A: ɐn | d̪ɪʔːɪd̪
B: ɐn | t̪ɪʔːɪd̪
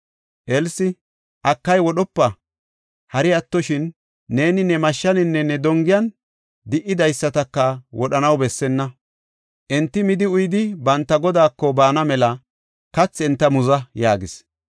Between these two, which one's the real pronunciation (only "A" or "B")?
A